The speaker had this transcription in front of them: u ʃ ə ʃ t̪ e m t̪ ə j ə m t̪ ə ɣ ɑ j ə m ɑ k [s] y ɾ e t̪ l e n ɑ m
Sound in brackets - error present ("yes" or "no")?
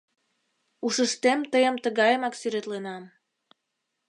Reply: no